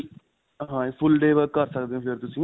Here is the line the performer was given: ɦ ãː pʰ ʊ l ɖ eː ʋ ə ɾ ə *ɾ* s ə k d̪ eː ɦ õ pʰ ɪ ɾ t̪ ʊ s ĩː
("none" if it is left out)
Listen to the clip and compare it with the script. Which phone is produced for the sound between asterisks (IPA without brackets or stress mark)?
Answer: ɾ